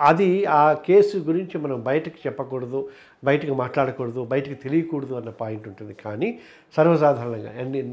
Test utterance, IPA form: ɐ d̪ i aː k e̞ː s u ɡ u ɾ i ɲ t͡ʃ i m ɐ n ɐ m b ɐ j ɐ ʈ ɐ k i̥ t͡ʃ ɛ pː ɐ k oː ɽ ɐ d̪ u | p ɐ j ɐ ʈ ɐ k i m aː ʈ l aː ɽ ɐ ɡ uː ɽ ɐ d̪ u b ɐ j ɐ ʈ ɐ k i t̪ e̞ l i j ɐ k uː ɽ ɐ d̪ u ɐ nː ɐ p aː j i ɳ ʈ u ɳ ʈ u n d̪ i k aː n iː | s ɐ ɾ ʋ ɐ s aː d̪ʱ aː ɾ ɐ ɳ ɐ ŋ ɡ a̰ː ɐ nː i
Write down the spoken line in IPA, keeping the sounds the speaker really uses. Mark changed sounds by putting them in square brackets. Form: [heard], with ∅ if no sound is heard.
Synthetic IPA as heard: ɐ d̪ i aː k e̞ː s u ɡ u ɾ i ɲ t͡ʃ i m ɐ n ɐ m b ɐ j ɐ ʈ ɐ k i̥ t͡ʃ ɛ pː ɐ k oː ɽ ɐ d̪ u | [b] ɐ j ɐ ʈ ɐ k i m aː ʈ l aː ɽ ɐ [k] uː ɽ ɐ d̪ u b ɐ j ɐ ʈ ɐ k i t̪ e̞ l i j ɐ k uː ɽ ɐ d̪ u ɐ nː ɐ p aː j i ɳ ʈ u ɳ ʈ u n d̪ i k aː n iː | s ɐ ɾ ʋ ɐ s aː d̪ʱ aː ɾ ɐ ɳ ɐ ŋ ɡ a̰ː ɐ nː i